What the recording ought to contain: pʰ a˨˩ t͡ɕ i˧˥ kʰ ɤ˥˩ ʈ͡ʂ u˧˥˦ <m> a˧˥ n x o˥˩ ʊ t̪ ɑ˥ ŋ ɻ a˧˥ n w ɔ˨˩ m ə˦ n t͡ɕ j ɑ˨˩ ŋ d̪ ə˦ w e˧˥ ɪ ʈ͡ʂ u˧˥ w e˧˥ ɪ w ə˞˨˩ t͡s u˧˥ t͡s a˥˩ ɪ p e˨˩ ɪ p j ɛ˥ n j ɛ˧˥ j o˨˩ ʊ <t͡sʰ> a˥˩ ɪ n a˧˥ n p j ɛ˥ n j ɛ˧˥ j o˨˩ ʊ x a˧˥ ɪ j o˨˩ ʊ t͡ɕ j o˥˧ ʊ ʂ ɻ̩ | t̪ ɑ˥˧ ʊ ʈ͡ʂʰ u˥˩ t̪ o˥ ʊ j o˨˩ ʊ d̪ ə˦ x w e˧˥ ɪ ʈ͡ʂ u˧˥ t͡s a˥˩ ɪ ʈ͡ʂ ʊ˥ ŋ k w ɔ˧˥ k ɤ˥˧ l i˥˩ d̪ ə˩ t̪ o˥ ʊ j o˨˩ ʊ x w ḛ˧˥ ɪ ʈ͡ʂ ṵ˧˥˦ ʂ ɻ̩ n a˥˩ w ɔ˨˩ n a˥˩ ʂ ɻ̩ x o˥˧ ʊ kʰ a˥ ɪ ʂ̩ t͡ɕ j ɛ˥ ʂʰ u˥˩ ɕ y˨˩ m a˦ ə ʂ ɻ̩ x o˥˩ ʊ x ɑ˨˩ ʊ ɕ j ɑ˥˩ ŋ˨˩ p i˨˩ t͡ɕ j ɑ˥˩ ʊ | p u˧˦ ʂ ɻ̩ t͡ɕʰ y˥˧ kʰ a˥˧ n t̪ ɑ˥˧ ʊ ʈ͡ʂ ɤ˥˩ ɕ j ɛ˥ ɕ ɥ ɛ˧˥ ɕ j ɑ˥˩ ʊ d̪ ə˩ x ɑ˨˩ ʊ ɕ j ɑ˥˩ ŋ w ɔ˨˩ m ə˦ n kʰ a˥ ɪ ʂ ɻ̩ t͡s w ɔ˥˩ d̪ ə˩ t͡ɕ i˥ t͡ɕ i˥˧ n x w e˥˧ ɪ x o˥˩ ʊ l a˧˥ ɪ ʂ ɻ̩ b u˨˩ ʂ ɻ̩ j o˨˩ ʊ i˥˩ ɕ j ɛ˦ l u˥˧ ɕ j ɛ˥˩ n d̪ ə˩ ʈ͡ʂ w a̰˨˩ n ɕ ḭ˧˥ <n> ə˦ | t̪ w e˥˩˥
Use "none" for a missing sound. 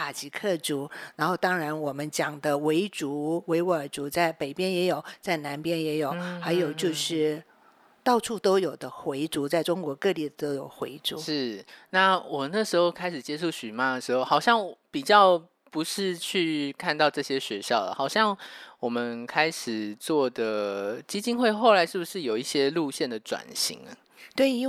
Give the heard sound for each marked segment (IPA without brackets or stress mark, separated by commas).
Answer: n, t͡s, ŋ